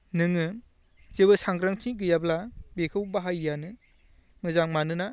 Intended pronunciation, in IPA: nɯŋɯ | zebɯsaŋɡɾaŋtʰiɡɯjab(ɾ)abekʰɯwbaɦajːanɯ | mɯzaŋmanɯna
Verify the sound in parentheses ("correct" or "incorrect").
incorrect